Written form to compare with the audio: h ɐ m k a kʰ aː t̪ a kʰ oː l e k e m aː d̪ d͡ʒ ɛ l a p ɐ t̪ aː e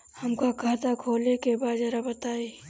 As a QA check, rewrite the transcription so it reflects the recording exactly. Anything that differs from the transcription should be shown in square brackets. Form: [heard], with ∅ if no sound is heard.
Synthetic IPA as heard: h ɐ m k a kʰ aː t̪ a kʰ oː l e k e [b] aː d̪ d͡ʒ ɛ [ɾ] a [b] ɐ t̪ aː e